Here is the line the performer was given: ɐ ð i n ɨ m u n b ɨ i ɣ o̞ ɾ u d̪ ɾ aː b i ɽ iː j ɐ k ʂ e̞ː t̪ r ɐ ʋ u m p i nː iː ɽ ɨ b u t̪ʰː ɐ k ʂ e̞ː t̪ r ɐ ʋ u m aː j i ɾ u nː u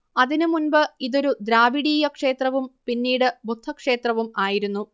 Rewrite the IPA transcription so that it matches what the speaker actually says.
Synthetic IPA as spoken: ɐ ð i n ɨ m u n b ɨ i ð o̞ ɾ u d̪ ɾ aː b i ɽ iː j ɐ k ʂ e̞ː t̪ r ɐ ʋ u m p i nː iː ɽ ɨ b u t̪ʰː ɐ k ʂ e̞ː t̪ r ɐ ʋ u m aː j i ɾ u nː u